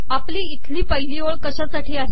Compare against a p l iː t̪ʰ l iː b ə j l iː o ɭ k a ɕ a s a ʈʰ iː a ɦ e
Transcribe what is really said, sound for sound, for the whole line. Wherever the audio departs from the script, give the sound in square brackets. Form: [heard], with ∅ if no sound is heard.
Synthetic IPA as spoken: a p l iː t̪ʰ l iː [p] ə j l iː o ɭ k [ə] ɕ a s a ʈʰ iː a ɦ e